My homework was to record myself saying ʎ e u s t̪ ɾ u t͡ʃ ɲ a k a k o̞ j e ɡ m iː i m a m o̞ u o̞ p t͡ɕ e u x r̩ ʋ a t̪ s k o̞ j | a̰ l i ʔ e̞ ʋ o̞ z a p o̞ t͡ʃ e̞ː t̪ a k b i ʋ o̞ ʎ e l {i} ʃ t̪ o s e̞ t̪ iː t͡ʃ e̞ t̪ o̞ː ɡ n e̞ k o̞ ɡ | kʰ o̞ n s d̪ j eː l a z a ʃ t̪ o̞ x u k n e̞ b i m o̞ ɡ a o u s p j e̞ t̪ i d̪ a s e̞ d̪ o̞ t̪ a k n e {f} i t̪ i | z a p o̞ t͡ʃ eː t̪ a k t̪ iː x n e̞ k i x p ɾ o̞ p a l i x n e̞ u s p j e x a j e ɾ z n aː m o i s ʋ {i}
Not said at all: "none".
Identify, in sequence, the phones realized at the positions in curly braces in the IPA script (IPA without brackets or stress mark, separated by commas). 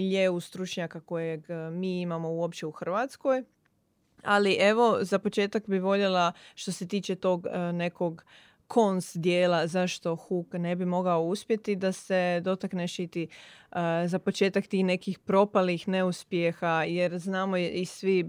a, ʃ, i